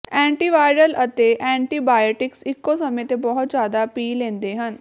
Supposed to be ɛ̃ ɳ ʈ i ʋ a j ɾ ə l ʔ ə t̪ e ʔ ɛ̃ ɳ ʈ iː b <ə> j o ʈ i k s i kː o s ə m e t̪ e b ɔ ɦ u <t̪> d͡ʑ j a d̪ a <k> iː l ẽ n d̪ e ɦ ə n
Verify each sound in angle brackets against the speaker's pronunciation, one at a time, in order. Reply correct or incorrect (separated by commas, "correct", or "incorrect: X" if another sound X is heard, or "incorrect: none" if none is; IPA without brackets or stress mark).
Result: incorrect: a, correct, incorrect: p